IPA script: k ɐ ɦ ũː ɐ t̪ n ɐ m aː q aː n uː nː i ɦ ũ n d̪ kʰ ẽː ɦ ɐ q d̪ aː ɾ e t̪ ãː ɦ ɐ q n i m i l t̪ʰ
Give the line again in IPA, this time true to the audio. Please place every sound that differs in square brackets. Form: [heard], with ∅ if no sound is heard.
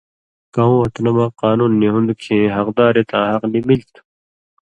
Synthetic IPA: k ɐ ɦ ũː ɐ t̪ n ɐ m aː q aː n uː nː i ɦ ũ n d̪ kʰ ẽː ɦ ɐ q d̪ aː ɾ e t̪ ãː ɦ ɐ q n i m i l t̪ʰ